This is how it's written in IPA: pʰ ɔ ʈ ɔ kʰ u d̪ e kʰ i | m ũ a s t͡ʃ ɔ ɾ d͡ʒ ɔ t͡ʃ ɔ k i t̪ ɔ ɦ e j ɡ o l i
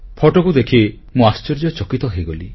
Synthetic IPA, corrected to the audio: pʰ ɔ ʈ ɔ k u d̪ e kʰ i | m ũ a s t͡ʃ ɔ ɾ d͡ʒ ɔ t͡ʃ ɔ k i t̪ ɔ ɦ e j ɡ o l i